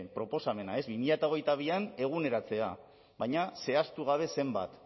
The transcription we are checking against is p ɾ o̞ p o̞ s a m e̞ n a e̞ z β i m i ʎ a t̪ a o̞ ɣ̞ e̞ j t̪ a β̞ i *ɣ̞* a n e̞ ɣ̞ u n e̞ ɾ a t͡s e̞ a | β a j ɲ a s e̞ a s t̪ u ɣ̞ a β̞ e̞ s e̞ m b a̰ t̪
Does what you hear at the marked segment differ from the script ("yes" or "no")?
yes